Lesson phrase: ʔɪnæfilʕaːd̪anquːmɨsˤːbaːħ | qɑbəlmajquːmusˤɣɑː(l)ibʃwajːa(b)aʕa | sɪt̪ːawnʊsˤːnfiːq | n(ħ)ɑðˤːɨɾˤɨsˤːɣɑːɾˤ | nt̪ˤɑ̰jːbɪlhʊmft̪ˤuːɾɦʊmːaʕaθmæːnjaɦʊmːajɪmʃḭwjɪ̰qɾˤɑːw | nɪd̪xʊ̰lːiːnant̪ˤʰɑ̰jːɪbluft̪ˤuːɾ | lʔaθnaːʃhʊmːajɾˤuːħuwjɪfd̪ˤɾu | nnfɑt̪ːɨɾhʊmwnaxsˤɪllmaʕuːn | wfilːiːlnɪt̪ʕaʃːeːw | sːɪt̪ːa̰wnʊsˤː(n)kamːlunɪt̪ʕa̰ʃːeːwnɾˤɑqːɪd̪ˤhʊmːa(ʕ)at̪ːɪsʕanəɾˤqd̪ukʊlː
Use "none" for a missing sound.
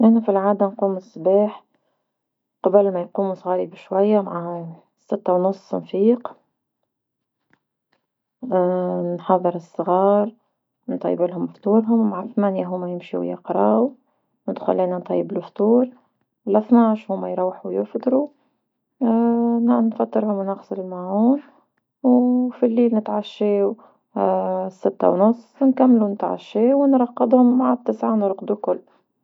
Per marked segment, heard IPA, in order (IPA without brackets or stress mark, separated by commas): ɾ, m, ħ, n, ʕ